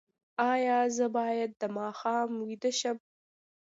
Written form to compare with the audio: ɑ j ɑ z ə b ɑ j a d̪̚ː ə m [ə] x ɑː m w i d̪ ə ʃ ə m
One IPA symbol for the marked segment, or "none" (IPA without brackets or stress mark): ɑ